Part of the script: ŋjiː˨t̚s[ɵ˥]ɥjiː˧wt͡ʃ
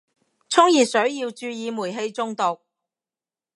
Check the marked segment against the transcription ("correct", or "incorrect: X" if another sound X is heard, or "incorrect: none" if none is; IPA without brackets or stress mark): incorrect: ɵ˨˥